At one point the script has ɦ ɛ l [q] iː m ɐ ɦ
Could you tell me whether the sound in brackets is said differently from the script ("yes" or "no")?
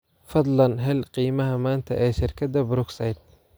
no